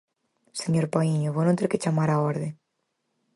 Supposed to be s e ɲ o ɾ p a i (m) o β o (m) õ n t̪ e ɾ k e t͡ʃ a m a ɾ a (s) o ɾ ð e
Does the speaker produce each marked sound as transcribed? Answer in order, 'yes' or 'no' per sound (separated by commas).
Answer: no, no, no